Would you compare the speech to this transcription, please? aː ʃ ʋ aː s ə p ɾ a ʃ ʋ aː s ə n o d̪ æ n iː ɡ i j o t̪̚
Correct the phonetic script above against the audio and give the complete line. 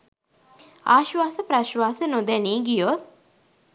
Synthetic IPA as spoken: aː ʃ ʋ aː s ə p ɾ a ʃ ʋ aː s ə n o d̪ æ n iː ɡ i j o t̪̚